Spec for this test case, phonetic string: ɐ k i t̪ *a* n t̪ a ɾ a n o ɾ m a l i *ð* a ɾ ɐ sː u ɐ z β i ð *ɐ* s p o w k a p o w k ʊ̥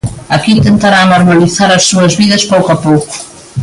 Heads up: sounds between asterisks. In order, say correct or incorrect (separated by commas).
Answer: incorrect, incorrect, correct